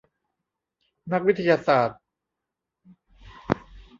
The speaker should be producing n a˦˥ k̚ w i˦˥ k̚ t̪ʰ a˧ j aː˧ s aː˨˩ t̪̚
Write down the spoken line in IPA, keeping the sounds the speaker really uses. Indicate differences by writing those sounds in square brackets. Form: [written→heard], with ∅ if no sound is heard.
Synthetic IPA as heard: n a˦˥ k̚ w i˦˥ [k̚→∅] t̪ʰ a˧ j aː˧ s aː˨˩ t̪̚